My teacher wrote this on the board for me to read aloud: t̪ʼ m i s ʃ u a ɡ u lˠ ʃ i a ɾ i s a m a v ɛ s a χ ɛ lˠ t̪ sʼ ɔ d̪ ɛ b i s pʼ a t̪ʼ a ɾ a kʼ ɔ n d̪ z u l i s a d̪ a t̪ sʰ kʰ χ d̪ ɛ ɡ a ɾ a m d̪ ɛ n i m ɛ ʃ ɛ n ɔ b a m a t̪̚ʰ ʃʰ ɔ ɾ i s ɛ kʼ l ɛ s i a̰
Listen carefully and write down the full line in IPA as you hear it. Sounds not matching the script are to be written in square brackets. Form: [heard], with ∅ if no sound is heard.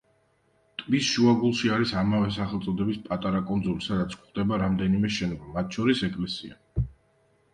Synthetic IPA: t̪ʼ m i s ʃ u a ɡ u lˠ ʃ i a ɾ i s a m a v ɛ s a χ ɛ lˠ t̪ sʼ ɔ d̪ ɛ b i s pʼ a t̪ʼ a ɾ a kʼ ɔ n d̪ z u l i s a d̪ a t̪ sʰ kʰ χ d̪ ɛ [b] a ɾ a m d̪ ɛ n i m ɛ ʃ ɛ n ɔ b a m a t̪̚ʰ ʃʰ ɔ ɾ i s ɛ kʼ l ɛ s i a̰